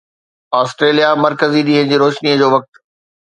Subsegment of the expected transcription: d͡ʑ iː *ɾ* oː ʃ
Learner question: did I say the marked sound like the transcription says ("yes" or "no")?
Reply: yes